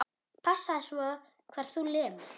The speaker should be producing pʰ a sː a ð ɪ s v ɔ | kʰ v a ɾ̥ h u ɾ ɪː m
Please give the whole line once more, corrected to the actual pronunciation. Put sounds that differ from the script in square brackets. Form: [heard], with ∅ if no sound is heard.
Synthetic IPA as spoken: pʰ a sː a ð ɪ s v ɔ | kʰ v [ɛ] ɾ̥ [θ] u [l] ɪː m